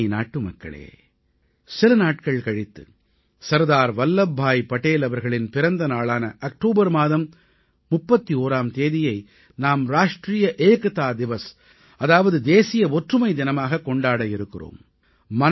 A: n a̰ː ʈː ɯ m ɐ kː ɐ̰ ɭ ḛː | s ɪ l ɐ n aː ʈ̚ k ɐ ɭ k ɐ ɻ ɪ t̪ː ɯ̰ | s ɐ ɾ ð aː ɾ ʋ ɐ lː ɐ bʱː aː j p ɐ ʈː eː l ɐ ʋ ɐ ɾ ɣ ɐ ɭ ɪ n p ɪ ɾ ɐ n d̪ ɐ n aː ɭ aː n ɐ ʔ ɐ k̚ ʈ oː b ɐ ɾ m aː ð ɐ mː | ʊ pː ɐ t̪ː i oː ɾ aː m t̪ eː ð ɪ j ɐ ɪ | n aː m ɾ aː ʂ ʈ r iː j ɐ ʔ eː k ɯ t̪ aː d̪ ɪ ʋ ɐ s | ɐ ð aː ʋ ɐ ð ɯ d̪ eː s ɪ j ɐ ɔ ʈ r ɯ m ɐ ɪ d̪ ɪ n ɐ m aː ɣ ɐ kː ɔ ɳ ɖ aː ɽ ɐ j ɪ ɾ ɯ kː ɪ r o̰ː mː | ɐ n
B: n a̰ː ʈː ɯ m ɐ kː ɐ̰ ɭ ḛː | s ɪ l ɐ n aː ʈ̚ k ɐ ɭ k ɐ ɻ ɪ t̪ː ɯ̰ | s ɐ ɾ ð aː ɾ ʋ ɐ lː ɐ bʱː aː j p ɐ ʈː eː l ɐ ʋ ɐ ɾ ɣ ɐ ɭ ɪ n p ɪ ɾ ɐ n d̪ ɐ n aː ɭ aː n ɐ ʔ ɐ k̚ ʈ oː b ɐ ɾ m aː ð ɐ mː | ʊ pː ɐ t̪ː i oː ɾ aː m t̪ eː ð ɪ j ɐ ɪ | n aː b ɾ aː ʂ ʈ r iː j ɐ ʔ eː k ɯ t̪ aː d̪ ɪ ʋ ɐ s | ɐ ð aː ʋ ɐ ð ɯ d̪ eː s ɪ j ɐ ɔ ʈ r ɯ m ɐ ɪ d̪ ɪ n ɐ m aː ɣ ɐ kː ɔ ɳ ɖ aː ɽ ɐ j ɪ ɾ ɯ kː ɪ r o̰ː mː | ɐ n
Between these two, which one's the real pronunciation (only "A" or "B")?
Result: A